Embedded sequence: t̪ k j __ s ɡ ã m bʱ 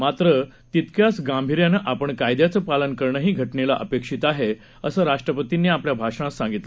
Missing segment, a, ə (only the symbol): a